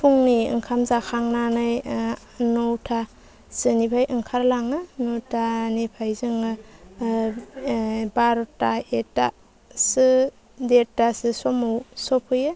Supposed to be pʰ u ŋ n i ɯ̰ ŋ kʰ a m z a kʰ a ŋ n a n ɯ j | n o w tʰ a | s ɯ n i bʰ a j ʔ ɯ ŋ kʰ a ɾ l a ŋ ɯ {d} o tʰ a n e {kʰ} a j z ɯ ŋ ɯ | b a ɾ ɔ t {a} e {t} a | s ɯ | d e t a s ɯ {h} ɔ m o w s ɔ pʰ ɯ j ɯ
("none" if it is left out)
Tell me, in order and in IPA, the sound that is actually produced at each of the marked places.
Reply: n, pʰ, a, t, s

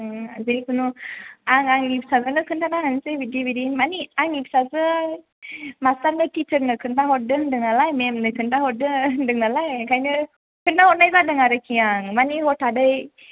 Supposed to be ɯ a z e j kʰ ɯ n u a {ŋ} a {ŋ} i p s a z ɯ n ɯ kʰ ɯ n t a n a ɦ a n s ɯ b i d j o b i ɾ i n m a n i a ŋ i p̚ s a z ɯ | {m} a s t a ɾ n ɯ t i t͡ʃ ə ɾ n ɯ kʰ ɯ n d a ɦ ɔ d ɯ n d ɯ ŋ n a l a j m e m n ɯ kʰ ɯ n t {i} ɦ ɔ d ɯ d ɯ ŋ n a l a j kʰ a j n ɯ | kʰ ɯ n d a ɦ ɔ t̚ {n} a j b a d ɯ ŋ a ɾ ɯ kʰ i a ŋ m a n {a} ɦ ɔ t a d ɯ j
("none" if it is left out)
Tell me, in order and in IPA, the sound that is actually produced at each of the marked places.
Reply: ŋ, ŋ, m, a, n, i

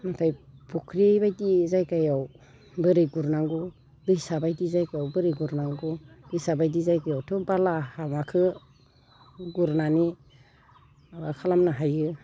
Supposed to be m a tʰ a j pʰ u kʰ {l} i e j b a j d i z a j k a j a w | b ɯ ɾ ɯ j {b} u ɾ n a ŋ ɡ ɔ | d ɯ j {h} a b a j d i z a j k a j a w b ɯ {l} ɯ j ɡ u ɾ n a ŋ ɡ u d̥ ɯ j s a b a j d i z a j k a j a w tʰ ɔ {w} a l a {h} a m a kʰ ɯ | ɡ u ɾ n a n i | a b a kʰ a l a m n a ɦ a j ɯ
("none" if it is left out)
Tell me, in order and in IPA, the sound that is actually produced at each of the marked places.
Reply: ɾ, ɡ, s, ɾ, b, h

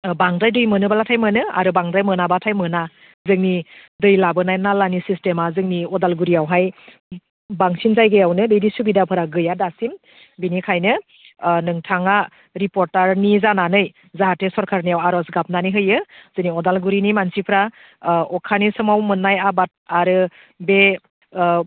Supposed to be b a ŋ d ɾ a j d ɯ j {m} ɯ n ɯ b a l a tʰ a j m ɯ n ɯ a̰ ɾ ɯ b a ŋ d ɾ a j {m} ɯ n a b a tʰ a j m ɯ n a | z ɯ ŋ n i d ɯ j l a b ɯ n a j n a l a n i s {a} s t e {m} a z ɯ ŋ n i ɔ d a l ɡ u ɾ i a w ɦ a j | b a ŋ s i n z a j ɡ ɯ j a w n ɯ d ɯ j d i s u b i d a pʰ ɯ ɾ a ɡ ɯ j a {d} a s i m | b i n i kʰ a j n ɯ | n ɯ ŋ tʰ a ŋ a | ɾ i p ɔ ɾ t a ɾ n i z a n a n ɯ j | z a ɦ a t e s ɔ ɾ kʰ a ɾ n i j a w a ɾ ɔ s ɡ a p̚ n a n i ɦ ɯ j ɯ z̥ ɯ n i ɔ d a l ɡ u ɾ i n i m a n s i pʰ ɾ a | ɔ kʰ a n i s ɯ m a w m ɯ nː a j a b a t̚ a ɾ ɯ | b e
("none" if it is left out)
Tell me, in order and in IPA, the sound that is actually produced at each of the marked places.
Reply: m, m, i, m, d

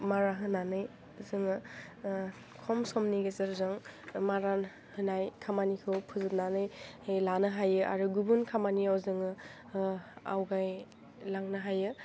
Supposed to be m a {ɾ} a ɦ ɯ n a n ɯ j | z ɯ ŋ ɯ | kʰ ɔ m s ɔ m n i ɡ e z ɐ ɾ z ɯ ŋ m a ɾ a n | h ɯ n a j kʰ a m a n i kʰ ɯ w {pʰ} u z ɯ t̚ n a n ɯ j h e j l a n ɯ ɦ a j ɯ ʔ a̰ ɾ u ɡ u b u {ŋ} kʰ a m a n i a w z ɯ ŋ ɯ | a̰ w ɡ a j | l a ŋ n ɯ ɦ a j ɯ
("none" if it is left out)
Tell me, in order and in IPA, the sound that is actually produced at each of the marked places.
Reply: ɾ, pʰ, n

